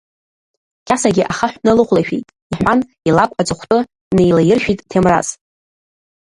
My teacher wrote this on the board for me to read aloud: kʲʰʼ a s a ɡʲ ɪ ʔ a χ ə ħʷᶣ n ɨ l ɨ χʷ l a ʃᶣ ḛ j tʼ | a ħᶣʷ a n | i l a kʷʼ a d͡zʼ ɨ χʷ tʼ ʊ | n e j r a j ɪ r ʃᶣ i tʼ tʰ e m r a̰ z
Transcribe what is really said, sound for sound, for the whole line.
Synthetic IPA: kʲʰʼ a s a ɡʲ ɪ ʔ a χ a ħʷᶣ n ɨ l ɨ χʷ l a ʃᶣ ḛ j tʼ | i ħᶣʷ a n | i l a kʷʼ a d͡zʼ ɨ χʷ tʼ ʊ | n e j l a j ɪ r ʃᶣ i tʼ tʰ e m r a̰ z